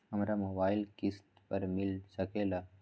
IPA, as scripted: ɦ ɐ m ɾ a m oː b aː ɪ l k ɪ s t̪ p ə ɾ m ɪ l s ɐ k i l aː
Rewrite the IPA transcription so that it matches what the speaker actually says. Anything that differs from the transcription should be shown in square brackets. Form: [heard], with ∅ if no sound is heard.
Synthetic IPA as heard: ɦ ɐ m ɾ a m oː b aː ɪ l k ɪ s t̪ p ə ɾ m ɪ l s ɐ k [e] l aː